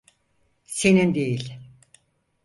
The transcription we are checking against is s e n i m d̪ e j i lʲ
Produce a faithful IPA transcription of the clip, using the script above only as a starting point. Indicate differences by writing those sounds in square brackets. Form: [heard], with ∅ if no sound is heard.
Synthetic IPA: s e n i [n] d̪ e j i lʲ